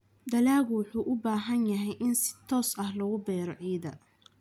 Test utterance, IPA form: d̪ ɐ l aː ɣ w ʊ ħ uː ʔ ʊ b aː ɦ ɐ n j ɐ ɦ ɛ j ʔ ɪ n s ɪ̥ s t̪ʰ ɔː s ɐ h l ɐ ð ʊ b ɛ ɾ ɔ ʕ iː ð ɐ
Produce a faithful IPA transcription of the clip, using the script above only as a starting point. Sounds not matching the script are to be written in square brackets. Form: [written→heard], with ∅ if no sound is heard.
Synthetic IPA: d̪ ɐ l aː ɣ w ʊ ħ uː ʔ ʊ b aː ɦ ɐ n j ɐ ɦ ɛ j ʔ ɪ n s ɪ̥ [s→∅] t̪ʰ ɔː s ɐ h l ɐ [ð→ɣ] ʊ b [ɛ→ɛː] ɾ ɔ ʕ iː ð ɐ